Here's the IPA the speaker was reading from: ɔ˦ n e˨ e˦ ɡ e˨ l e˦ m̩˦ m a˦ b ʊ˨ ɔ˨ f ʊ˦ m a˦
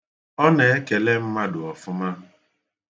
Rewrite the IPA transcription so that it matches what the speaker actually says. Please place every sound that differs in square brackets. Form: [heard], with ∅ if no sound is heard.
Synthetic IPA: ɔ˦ n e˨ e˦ [k] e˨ l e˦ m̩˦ m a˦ [d] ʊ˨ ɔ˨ f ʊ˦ m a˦